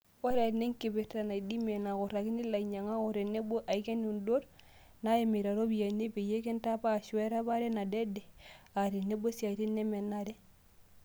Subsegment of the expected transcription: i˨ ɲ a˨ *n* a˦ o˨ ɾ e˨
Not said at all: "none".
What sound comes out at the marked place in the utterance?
ŋ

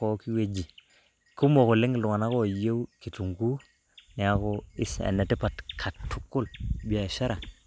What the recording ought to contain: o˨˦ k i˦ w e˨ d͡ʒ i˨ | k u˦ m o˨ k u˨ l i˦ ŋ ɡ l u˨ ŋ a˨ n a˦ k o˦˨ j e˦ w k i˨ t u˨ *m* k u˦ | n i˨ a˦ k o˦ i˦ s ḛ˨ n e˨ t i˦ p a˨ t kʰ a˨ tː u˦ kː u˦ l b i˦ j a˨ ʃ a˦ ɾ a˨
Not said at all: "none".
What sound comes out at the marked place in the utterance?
ŋ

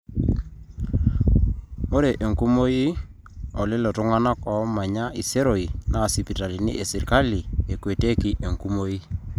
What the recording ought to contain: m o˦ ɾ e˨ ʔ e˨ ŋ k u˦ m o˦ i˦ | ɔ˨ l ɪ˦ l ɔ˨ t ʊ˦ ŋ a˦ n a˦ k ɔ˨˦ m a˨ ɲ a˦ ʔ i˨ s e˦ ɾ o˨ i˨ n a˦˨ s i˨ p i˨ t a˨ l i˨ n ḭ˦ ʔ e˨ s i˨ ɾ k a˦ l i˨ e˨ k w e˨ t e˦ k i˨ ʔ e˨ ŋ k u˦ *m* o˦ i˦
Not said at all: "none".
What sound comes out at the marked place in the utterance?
m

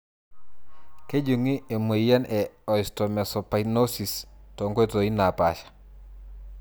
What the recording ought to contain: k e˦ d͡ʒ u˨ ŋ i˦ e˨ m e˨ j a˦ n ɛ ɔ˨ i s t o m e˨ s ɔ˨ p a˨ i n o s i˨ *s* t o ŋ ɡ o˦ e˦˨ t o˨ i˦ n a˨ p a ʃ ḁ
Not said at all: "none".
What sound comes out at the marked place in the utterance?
s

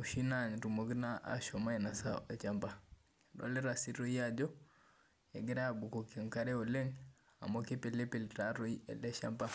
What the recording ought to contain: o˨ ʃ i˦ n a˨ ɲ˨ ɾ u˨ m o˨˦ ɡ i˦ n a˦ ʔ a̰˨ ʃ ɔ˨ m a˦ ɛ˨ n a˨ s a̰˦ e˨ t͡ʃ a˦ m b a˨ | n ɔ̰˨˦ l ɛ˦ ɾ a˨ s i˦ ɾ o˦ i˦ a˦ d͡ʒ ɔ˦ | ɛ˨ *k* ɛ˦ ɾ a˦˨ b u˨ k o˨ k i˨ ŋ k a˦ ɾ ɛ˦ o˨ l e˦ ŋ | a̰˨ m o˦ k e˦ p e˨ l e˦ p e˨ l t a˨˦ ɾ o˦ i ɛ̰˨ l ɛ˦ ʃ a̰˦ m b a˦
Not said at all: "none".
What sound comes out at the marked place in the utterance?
ɡ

